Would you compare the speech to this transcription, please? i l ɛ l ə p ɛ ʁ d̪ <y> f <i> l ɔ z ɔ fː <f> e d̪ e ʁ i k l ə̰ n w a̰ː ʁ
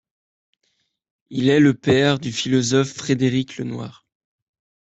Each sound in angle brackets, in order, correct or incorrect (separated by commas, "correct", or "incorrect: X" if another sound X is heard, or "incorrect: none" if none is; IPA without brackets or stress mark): correct, correct, incorrect: χ